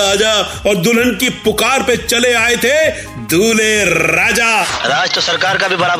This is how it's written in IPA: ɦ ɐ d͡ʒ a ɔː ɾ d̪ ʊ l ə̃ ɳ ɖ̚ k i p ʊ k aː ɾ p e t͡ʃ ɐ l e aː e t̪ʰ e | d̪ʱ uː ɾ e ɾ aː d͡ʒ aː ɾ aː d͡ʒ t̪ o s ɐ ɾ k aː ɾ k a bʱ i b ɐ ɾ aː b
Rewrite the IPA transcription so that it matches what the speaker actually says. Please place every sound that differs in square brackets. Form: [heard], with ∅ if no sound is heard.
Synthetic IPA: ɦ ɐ d͡ʒ a ɔː ɾ d̪ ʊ l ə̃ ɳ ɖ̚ k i p ʊ k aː ɾ p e t͡ʃ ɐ l e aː e t̪ʰ e | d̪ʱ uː [l] e ɾ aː d͡ʒ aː ɾ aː d͡ʒ t̪ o s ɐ ɾ k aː ɾ k a bʱ i b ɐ ɾ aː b